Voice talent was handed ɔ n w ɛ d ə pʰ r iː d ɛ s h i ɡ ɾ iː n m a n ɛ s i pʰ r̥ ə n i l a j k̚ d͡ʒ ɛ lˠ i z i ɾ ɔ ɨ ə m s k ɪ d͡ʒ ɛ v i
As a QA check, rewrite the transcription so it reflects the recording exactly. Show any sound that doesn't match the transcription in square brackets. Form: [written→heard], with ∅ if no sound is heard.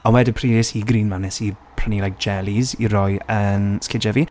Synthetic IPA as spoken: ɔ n w ɛ d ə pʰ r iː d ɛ s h i ɡ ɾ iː n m a n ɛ s i pʰ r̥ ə n i l a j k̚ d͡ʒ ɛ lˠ i z i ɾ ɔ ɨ ə [m→n] s k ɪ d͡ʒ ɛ v i